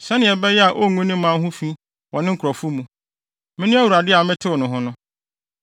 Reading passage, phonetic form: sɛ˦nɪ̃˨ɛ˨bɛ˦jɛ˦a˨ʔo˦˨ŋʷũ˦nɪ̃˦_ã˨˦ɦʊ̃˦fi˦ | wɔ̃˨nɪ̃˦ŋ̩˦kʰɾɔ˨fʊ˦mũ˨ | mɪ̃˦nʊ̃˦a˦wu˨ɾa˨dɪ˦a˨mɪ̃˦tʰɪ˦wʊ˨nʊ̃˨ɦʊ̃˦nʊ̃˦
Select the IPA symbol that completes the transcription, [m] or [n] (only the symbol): m